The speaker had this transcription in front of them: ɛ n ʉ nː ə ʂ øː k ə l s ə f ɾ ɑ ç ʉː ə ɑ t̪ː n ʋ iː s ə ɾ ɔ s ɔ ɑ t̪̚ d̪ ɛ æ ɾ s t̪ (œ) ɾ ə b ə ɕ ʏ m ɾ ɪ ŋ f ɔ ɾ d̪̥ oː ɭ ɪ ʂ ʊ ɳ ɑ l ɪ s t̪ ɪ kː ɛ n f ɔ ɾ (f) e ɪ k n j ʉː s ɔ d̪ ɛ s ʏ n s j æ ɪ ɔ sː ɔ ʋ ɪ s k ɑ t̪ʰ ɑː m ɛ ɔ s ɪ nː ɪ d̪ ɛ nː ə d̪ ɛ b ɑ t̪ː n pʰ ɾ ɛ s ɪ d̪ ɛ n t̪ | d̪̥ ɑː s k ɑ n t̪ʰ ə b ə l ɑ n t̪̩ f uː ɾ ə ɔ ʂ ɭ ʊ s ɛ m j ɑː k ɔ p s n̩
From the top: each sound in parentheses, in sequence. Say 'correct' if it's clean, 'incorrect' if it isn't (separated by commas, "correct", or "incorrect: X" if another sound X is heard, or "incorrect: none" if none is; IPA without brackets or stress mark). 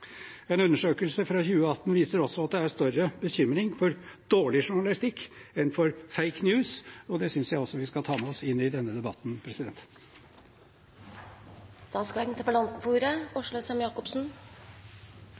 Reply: correct, correct